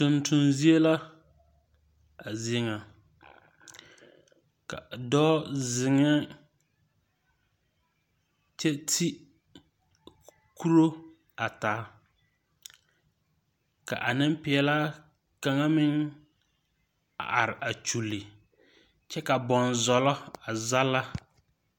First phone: t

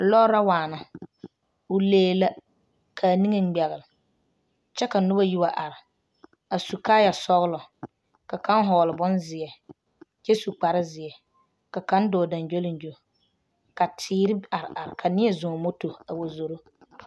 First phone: l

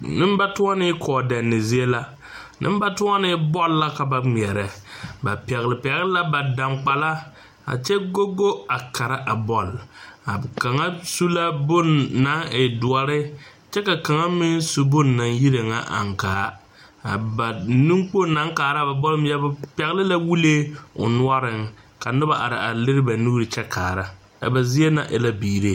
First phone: n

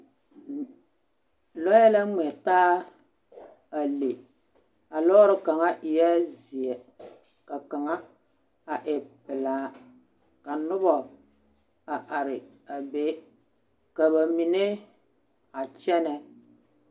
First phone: l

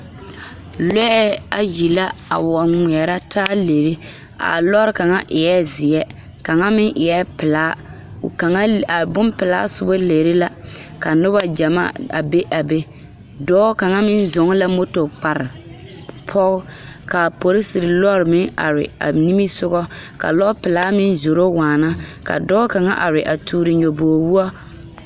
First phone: l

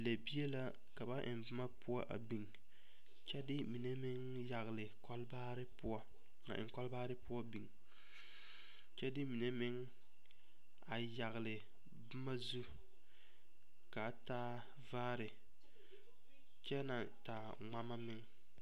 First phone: l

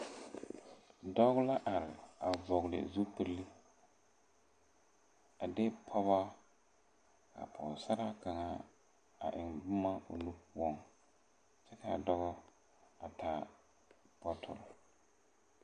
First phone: d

